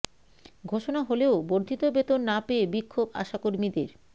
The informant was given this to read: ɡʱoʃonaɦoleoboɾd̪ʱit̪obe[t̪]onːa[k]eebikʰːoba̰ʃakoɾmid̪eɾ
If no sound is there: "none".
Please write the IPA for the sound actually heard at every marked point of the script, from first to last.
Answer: t̪, p

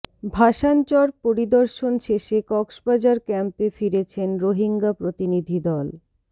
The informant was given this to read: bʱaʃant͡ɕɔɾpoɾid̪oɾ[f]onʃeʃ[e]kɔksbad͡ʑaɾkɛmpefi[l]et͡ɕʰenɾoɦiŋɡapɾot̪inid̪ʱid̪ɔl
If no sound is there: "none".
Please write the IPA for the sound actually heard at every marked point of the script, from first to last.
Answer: ʃ, e, ɾ

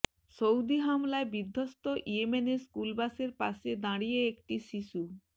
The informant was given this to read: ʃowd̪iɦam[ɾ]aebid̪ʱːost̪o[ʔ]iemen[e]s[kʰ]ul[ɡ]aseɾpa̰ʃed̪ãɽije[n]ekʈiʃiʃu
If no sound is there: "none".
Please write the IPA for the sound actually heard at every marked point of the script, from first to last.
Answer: l, ʔ, e, k, b, none

